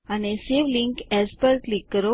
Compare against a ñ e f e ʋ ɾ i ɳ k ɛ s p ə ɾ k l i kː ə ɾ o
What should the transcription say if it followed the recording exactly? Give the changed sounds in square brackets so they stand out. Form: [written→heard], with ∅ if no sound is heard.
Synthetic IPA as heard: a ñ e [f→s] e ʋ [ɾ→l] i [ɳ→ŋ] k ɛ s p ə ɾ k l i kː ə ɾ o